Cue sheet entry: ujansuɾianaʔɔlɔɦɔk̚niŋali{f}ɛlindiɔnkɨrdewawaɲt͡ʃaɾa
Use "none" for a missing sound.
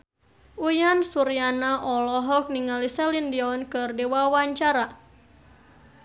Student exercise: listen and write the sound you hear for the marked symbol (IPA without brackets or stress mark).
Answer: s